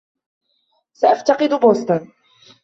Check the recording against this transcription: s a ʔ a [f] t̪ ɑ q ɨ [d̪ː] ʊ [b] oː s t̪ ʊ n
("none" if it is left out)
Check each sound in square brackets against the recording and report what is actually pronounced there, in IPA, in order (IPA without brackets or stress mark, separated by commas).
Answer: f, d̪, b